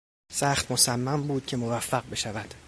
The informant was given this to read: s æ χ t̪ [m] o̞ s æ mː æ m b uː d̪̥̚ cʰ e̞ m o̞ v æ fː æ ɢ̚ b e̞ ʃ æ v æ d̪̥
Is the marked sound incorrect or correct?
correct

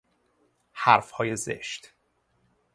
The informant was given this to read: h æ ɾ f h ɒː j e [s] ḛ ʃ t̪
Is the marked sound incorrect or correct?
incorrect: z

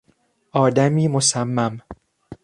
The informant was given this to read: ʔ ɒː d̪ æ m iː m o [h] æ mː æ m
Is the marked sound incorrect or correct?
incorrect: s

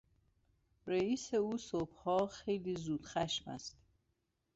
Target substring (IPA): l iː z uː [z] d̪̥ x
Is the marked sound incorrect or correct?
incorrect: none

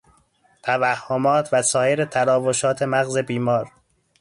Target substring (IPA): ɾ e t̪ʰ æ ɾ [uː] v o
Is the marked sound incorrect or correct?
incorrect: ɒː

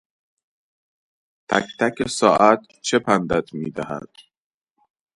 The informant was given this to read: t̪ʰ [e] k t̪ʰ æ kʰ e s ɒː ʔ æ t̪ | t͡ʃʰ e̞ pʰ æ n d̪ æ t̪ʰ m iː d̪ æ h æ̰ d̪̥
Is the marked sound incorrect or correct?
incorrect: æ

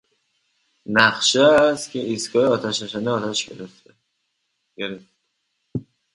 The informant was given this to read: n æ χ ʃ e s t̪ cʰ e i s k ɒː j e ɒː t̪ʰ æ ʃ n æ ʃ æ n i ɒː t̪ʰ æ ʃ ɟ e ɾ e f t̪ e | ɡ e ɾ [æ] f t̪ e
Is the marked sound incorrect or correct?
incorrect: e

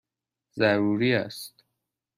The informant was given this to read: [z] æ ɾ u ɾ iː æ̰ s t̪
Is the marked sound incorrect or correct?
correct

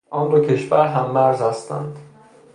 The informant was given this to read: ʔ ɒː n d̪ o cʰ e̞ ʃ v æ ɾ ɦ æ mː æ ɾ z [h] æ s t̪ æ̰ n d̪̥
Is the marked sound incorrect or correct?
correct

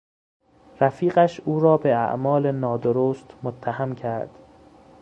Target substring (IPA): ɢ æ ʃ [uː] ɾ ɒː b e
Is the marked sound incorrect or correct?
correct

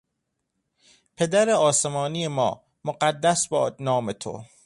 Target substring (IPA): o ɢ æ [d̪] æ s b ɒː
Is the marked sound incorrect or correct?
incorrect: d̪ː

